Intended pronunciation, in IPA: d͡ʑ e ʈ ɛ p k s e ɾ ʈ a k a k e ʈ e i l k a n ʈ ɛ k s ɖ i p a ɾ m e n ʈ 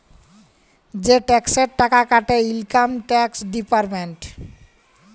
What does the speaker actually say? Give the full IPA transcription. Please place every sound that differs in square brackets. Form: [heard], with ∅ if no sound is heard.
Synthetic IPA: d͡ʑ e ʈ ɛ [∅] k s e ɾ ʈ a k a k [a] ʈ e i l k a [m] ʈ ɛ k s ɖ i p a ɾ m e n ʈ